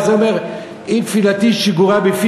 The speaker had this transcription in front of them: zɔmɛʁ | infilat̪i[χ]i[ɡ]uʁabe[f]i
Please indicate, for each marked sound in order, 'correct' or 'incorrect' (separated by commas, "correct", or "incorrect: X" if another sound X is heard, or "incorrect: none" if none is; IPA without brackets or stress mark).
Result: incorrect: ʃ, correct, correct